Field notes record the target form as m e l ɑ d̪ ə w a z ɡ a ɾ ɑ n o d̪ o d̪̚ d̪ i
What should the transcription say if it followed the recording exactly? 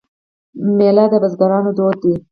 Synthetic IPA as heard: m e l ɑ d̪ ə b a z ɡ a ɾ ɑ n o d̪ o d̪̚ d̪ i

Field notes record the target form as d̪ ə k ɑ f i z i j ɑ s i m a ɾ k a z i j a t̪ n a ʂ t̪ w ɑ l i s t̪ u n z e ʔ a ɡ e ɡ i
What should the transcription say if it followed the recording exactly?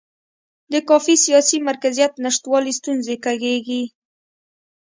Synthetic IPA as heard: d̪ ə k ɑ f i s i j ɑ s i m a ɾ k a z i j a t̪ n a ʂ t̪ w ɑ l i s t̪ u n z e k a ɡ e ɡ i

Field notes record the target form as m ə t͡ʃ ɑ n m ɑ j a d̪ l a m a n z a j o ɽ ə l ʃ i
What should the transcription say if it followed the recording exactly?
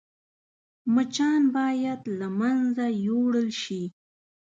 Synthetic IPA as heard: m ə t͡ʃ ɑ n b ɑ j a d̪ l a m a n z a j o ɽ ə l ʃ i

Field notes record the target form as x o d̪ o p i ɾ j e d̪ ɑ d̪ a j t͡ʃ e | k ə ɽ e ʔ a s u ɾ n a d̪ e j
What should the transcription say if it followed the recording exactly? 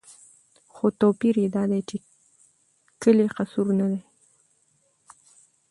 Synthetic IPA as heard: x o t̪ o p i ɾ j e d̪ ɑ d̪ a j t͡ʃ e | k ə l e q a s u ɾ n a d̪ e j

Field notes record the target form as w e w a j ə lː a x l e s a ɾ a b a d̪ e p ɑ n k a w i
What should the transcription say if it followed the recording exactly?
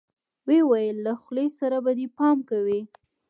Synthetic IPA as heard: w e w a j ə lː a x l e s a ɾ a b a d̪ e p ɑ m k a w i

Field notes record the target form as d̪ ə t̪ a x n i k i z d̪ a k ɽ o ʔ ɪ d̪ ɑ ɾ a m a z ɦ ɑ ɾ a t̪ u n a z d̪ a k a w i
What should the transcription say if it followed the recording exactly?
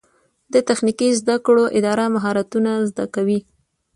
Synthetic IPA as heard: d̪ ə t̪ a x n i k i z d̪ a k ɽ o ʔ ɪ d̪ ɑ ɾ a m a ɦ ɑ ɾ a t̪ u n a z d̪ a k a w i

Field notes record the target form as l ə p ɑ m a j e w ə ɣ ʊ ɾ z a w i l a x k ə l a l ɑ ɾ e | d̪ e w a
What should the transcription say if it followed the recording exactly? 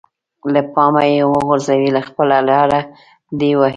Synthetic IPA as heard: l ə p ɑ m a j e w ə ɣ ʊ ɾ z a w i l a x p ə l a l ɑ ɾ a | d̪ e w a

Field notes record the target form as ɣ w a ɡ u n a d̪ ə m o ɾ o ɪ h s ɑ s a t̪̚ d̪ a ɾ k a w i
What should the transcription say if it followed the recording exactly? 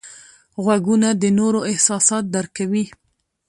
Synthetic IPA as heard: ɣ w a ɡ u n a d̪ ə n o ɾ o ɪ h s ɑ s ɑ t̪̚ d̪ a ɾ k a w i

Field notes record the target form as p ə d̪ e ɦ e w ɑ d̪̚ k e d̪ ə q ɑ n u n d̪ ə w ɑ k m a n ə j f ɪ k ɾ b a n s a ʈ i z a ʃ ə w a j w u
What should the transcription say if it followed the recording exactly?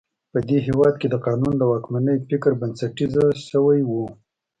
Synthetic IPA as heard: p ə d̪ e ɦ e w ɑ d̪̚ k e d̪ ə q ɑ n u n d̪ ə w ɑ k m a n ə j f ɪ k ɾ b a n s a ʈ i z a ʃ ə w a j w u

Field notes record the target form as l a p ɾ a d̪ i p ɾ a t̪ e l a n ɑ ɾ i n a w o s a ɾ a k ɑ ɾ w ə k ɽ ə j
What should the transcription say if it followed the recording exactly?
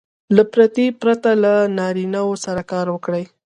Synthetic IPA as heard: l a p ɾ a t̪ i p ɾ a t̪ a l a n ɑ ɾ i n a w o s a ɾ a k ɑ ɾ w ə k ɽ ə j

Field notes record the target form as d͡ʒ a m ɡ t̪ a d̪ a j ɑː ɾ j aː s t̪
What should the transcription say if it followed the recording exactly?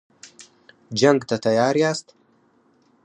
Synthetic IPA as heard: d͡ʒ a ŋ ɡ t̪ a t̪ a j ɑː ɾ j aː s t̪

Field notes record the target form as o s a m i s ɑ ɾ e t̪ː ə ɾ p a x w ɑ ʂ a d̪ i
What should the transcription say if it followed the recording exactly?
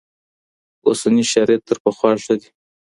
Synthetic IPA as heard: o s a n i ʃ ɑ ɾ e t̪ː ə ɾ p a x w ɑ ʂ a d̪ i

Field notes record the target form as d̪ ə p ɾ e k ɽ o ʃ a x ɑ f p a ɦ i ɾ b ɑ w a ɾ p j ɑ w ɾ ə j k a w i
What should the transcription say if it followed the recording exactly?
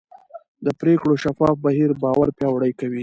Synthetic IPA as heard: d̪ ə p ɾ e k ɽ o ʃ a f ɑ f b a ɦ i ɾ b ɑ w a ɾ p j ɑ w ɽ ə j k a w i

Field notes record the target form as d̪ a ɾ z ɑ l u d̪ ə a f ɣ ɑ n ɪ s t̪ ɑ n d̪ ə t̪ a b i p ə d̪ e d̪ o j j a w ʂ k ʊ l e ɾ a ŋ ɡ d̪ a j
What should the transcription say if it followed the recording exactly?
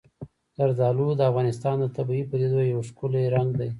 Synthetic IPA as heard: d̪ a ɾ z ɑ l u d̪ ə a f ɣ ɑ n ɪ s t̪ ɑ n d̪ ə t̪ a b i p ə d̪ e d̪ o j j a w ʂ k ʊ l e ɾ a ŋ ɡ d̪ a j

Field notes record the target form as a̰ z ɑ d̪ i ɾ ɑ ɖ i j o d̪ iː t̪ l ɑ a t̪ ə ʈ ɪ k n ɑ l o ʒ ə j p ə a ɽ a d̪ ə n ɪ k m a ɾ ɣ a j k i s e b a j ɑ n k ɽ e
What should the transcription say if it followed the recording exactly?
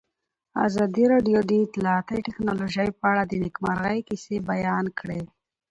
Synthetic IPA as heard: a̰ z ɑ d̪ i ɾ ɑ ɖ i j o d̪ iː t̪ l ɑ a t̪ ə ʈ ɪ k n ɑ l o ʒ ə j p ə a ɽ a d̪ ə n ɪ k m a ɾ ɣ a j k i s e b a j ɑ n k ɽ e

